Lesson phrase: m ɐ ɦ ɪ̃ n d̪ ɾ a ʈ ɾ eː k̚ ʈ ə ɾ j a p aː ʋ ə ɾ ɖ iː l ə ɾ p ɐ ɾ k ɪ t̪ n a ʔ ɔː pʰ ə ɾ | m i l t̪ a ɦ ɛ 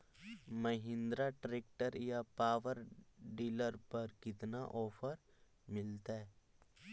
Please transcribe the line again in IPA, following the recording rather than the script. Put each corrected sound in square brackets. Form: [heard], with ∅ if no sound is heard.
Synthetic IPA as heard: m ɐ ɦ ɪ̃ n d̪ ɾ a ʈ ɾ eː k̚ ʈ ə ɾ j a p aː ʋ ə ɾ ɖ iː l ə ɾ p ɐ ɾ k ɪ t̪ n a ʔ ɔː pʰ ə ɾ | m [ɪ] l t̪ a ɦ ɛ